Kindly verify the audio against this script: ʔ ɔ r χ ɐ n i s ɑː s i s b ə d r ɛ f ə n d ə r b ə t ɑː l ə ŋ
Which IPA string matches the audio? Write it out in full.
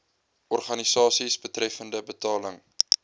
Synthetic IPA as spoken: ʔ ɔ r χ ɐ n i s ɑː s i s b ə t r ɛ f ə n d ə b ə t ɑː l ə ŋ